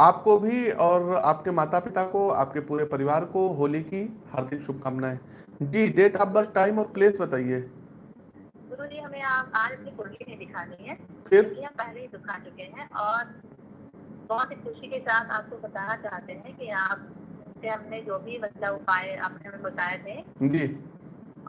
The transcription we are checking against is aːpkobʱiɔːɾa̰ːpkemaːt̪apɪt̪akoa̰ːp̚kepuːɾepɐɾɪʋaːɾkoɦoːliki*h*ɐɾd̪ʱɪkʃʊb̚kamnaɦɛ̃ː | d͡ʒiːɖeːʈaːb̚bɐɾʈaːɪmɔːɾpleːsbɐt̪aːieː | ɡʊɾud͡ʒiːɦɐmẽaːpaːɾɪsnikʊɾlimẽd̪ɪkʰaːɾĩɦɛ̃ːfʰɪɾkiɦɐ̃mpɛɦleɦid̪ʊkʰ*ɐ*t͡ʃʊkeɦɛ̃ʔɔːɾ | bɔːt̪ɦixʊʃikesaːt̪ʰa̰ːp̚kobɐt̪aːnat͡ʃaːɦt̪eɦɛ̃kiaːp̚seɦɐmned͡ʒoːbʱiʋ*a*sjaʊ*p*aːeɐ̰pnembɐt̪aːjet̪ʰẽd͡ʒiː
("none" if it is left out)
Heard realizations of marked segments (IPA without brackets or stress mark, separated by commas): h, a, ɐ, p